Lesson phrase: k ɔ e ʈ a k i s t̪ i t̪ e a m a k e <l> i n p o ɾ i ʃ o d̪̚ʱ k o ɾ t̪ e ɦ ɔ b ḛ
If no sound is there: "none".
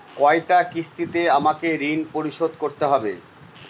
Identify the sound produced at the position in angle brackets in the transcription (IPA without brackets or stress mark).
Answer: ɾ